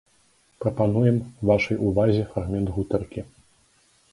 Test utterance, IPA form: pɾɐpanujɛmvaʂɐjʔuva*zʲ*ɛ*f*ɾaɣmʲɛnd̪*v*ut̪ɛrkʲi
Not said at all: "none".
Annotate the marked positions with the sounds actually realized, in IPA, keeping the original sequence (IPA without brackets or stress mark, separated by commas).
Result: zʲ, f, ɣ